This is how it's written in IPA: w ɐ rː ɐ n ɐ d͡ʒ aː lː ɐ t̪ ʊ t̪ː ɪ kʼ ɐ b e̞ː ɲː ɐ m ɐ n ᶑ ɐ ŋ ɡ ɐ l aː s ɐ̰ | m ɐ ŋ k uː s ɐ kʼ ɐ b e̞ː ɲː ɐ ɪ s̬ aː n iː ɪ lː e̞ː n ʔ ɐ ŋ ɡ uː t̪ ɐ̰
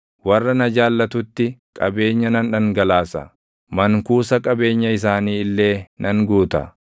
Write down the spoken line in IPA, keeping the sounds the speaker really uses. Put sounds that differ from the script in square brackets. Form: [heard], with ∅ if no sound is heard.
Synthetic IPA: w ɐ rː ɐ n ɐ d͡ʒ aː lː ɐ t̪ ʊ t̪ː ɪ kʼ ɐ b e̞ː ɲː ɐ [n] ɐ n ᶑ ɐ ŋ ɡ ɐ l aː s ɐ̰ | m ɐ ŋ k uː s ɐ kʼ ɐ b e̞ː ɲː ɐ ɪ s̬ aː n iː ɪ lː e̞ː n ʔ ɐ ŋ ɡ uː t̪ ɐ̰

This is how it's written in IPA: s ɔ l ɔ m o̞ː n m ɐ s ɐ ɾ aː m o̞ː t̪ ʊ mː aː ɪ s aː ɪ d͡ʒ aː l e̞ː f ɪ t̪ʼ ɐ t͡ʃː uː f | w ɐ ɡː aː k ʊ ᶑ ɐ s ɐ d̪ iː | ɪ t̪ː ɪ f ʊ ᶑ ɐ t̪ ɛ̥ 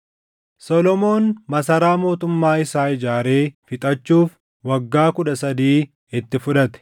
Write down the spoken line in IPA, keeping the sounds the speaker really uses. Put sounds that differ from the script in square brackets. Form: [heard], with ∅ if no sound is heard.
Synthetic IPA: s ɔ l ɔ m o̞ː n m ɐ s ɐ ɾ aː m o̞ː t̪ ʊ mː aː ɪ s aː ɪ d͡ʒ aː [ɾ] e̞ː f ɪ t̪ʼ ɐ t͡ʃː uː f | w ɐ ɡː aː k ʊ ᶑ ɐ s ɐ d̪ iː | ɪ t̪ː ɪ f ʊ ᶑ ɐ t̪ ɛ̥

